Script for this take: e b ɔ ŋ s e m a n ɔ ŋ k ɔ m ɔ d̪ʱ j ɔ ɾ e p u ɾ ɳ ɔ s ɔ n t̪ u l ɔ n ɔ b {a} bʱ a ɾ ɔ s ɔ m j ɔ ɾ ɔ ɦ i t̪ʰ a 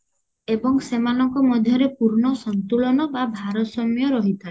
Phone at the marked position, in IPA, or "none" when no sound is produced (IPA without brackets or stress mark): a